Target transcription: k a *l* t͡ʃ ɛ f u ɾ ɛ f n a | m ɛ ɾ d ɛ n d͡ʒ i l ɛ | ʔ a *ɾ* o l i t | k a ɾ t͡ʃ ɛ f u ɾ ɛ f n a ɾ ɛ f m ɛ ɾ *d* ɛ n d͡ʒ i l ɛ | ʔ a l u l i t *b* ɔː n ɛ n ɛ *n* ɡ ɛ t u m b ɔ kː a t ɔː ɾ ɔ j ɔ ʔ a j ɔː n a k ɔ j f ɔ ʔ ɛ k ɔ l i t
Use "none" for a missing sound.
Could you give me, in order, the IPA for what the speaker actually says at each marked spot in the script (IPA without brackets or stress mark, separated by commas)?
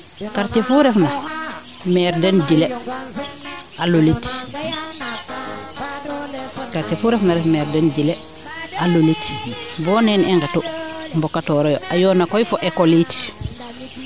ɾ, l, d, b, ŋ